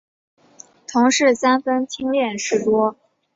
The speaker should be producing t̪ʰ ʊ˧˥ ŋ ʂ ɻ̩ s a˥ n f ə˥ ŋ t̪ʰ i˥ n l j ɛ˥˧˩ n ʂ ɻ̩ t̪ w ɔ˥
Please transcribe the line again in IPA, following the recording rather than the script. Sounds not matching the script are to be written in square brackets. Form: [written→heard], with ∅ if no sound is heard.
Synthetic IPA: t̪ʰ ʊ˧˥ ŋ ʂ ɻ̩ s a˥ n f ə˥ [ŋ→n] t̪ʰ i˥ [n→ŋ] l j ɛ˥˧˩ n ʂ ɻ̩ t̪ w ɔ˥